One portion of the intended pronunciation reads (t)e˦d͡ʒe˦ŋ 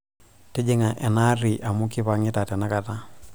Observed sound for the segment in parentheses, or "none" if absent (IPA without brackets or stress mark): t